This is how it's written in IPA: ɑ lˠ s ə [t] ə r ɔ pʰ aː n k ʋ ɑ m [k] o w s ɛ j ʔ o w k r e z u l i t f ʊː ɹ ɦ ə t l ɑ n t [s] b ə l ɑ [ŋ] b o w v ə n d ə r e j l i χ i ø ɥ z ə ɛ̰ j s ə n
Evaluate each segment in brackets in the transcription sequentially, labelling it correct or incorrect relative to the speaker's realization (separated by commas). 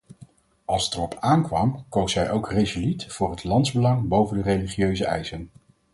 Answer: correct, correct, incorrect, correct